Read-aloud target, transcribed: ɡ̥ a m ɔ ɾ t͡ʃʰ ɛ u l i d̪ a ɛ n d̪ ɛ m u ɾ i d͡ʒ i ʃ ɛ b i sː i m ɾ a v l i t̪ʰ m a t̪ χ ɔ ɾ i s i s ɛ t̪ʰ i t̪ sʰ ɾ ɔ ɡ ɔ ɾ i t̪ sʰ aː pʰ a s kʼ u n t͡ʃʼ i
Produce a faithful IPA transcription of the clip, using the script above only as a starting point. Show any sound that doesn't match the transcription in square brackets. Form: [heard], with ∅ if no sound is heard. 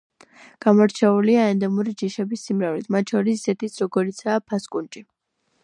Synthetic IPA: ɡ̥ a m ɔ ɾ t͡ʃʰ ɛ u l i [∅] a ɛ n d̪ ɛ m u ɾ i d͡ʒ i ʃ ɛ b i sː i m ɾ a v l i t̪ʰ m a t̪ [ʃ] ɔ ɾ i s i s ɛ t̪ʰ i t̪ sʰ ɾ ɔ ɡ ɔ ɾ i t̪ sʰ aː pʰ a s kʼ u n t͡ʃʼ i